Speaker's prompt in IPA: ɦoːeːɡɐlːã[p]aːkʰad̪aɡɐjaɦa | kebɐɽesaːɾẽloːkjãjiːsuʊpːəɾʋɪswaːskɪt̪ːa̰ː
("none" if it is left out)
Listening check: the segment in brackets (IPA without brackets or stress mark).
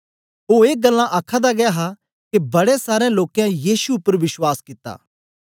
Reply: ʔ